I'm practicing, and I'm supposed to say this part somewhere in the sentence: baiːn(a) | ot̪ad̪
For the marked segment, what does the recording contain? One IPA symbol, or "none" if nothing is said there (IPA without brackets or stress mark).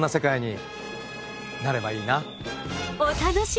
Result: a